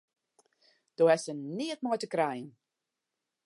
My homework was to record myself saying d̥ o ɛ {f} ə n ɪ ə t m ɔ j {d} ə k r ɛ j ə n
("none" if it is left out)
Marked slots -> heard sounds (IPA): s, t

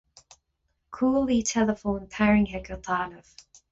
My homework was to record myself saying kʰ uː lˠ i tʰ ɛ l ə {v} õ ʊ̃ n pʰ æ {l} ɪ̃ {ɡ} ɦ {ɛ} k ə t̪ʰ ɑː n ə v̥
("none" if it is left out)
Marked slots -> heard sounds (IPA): f, ɹ, ŋ, ɛ

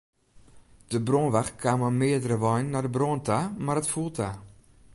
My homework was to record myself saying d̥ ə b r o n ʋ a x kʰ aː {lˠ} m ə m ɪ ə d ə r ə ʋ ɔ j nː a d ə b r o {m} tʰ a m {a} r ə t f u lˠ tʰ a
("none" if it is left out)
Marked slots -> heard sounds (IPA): none, n, a

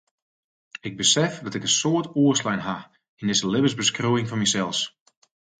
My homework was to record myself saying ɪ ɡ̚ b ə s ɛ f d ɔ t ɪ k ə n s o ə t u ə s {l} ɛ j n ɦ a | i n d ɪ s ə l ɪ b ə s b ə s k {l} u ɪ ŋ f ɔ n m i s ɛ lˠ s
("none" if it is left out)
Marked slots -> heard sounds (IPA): l, r

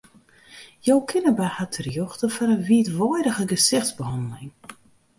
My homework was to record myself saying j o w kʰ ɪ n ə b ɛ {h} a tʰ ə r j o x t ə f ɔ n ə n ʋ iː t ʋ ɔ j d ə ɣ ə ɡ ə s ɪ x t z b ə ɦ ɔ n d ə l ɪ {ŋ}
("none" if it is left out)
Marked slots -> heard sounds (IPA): h, ŋ

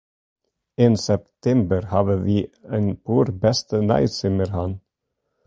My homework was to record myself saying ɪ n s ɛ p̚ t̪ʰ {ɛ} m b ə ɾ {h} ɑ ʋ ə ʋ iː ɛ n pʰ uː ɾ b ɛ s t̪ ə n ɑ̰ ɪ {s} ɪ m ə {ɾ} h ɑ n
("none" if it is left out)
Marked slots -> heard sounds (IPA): ɛ, h, s, ɾ

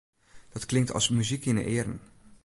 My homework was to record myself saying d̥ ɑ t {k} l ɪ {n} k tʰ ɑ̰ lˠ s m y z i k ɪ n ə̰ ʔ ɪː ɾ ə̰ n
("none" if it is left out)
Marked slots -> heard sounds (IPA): k, ŋ

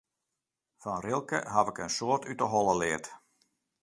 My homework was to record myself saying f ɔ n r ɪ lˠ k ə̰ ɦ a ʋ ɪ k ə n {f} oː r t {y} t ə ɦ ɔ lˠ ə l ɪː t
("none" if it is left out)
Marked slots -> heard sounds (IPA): s, y

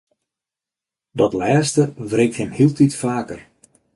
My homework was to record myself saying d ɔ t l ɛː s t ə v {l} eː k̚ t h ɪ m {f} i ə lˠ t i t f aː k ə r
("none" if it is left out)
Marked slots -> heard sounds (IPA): r, h

